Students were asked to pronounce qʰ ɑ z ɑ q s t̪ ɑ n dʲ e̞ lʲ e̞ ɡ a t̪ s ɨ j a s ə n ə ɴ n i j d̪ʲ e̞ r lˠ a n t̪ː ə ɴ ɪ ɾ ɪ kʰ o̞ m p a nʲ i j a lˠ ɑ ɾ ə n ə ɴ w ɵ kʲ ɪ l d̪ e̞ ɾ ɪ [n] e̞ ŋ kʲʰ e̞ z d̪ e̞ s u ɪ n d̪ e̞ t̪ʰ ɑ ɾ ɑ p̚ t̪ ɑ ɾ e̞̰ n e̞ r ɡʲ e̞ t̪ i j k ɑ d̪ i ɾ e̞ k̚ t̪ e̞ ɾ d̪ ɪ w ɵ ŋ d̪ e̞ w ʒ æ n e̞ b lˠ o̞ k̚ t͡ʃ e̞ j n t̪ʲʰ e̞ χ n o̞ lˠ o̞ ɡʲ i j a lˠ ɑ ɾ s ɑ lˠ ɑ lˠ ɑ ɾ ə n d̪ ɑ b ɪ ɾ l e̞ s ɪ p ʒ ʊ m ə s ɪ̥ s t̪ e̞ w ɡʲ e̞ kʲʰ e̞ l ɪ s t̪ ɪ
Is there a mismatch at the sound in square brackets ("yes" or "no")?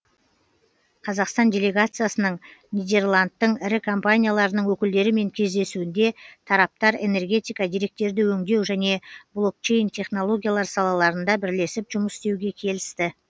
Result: yes